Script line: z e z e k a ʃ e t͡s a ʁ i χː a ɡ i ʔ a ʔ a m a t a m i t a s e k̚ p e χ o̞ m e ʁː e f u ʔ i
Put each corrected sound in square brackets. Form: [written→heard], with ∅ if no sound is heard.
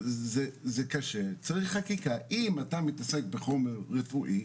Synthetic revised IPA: z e z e k a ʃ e t͡s a ʁ i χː a [ɡ→k] i [ʔ→k] a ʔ [a→i] m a t a m i t a s e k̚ [p→b] e χ o̞ m e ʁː e f u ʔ i